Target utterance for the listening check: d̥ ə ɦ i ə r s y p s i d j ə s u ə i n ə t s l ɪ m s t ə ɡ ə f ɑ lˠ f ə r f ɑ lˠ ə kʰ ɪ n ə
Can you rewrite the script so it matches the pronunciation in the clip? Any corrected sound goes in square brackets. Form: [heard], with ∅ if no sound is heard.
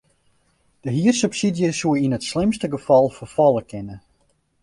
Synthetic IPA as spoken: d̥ ə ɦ i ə r s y p s i d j ə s u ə i n ə t s l ɪ m s t ə ɡ ə f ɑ lˠ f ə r f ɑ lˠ ə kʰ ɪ n ə